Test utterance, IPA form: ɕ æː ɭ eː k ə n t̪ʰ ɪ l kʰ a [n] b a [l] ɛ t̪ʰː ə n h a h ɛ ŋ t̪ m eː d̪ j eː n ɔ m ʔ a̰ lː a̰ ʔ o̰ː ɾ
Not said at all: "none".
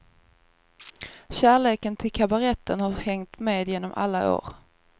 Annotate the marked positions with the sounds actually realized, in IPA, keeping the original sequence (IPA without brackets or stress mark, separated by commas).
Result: none, ɾ